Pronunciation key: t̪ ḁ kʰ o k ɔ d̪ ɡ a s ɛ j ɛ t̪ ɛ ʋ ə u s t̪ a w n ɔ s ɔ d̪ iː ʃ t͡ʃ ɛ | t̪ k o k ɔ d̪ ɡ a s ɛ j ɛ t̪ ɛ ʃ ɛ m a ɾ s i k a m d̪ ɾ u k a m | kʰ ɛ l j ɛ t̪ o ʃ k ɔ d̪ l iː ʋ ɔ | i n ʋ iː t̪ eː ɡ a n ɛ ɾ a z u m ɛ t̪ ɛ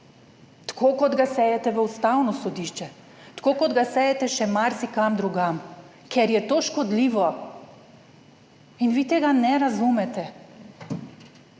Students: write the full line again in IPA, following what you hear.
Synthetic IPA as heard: t̪ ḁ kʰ o k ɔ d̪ ɡ a s ɛ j ɛ t̪ ɛ ʋ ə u s t̪ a w n ɔ s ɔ d̪ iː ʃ t͡ʃ ɛ | t̪ k o k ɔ d̪ ɡ a s ɛ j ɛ t̪ ɛ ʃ ɛ m a ɾ s i k a m d̪ ɾ u ɡ a m | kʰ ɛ ɾ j ɛ t̪ o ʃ k ɔ d̪ l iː ʋ ɔ | i n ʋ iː t̪ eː ɡ a n ɛ ɾ a z u m ɛ t̪ ɛ